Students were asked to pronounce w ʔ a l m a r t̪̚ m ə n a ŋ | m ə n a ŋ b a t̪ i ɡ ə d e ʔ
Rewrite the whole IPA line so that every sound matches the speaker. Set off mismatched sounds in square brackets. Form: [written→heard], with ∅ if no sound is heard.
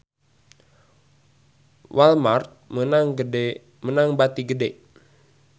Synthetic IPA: w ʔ a l m a r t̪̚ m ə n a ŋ | m ə n a ŋ b a t̪ i ɡ ə d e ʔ